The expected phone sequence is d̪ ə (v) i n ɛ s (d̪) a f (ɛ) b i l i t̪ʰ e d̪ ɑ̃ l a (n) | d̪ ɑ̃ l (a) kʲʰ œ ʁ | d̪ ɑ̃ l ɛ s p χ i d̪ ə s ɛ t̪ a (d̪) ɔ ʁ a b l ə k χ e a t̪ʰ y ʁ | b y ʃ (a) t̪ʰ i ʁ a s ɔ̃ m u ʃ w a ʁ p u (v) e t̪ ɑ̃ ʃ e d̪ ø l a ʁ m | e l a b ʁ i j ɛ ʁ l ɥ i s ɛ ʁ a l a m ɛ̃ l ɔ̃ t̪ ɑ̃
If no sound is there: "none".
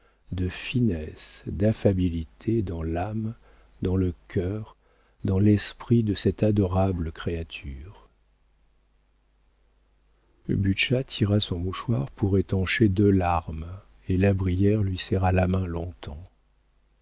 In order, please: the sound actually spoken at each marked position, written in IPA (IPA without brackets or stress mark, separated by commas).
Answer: f, d̪, a, m, ə, d̪, a, ʁ